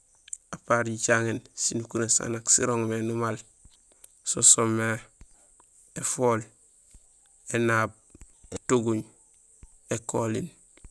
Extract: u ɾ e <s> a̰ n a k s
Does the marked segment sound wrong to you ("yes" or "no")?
no